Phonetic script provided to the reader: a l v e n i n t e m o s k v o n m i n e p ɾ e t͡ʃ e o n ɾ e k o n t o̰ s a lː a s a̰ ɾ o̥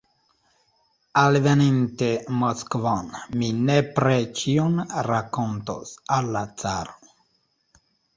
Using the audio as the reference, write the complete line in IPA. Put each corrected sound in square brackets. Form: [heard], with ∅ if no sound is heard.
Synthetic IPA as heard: a l v e n i n t e m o s k v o n m i n e p ɾ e t͡ʃ [i] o n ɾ [a] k o n t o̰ s a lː a [t͡s] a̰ ɾ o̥